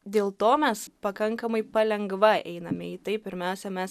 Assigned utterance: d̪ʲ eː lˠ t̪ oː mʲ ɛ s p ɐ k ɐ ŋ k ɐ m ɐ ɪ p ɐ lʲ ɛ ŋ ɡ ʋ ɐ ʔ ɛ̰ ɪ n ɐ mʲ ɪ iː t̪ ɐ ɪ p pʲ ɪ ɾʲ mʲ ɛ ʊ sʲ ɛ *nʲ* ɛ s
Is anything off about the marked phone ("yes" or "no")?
yes